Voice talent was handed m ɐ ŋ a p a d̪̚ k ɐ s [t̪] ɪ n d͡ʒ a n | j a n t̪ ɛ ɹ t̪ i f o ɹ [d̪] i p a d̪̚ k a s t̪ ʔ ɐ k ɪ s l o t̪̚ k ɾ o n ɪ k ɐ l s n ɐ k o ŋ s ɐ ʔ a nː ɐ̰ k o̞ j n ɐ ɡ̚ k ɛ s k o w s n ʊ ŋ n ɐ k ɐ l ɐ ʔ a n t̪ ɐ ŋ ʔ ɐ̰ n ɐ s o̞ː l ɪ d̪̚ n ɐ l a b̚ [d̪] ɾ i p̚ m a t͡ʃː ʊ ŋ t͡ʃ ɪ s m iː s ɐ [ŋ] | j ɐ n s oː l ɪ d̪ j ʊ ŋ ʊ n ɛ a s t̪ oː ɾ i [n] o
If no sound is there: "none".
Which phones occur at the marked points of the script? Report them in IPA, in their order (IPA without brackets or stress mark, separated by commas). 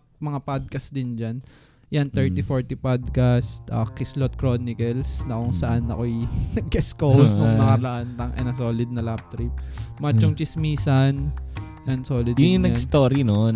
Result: d̪, t̪, t̪, n, n